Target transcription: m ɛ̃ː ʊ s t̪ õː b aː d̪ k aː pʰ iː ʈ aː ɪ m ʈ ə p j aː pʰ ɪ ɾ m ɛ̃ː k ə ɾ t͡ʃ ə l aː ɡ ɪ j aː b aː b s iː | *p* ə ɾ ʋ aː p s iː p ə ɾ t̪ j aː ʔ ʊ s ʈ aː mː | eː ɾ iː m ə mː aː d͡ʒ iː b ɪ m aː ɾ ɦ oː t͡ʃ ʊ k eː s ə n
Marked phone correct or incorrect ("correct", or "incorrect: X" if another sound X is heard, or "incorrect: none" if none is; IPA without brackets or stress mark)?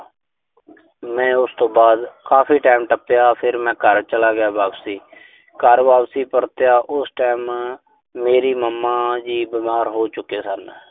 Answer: incorrect: k